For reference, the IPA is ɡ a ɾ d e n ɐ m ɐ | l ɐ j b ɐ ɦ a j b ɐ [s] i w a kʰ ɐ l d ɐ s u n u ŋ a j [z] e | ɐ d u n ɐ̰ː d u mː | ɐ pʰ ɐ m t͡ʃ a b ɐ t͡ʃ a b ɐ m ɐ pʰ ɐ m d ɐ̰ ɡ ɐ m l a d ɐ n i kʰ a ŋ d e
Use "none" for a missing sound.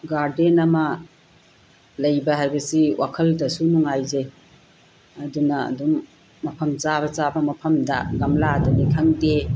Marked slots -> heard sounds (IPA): s, z

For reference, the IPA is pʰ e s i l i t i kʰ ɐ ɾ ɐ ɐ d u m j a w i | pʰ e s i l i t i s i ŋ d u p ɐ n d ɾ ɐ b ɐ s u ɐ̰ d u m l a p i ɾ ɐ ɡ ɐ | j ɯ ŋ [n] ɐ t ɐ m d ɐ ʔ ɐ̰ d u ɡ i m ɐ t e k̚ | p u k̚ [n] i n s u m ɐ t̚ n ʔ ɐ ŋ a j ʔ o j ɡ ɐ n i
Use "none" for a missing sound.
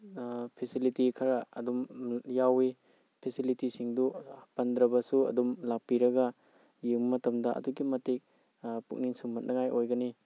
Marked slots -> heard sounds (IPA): m, n

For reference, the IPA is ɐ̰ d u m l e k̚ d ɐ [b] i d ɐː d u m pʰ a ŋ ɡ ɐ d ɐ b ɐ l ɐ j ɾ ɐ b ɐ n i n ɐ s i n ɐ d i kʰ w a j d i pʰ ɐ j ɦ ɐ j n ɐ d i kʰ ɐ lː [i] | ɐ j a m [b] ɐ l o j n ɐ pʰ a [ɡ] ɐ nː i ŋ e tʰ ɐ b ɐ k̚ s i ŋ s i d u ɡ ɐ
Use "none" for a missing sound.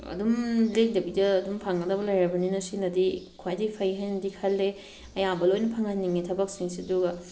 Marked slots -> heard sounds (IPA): b, e, b, ŋ

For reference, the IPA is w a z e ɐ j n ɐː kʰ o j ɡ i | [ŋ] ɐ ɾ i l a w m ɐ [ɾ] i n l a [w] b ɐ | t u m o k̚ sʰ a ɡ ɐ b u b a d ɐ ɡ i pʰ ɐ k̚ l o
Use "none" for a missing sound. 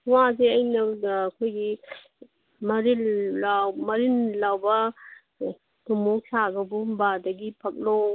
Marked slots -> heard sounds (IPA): m, ɾ, w

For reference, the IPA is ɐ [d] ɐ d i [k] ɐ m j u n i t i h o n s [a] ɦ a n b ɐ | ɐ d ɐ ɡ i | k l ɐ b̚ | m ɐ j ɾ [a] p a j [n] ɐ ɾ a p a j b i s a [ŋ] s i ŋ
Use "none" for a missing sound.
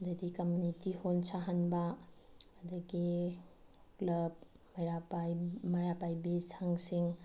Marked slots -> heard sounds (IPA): d, k, a, a, m, ŋ

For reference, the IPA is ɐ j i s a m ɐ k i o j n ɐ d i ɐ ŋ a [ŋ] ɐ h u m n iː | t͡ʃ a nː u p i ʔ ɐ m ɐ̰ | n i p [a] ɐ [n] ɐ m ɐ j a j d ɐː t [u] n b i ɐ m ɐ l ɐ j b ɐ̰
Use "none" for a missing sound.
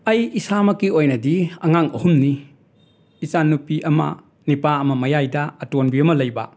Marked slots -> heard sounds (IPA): ŋ, a, m, o

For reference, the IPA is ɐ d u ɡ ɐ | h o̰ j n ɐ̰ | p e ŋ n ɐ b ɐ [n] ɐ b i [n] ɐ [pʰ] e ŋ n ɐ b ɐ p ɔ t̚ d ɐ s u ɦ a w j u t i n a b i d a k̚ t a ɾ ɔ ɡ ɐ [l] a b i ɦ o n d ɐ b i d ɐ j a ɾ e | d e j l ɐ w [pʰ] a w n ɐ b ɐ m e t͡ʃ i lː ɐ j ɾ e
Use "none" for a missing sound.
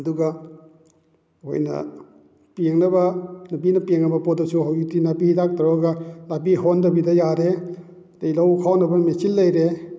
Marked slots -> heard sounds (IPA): n, n, p, l, kʰ

